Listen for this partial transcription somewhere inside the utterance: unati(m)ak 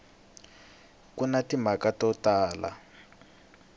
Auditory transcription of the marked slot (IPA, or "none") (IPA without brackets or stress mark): m